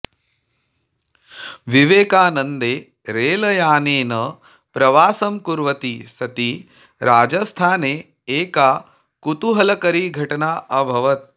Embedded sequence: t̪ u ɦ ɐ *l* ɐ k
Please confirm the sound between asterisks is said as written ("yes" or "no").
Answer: yes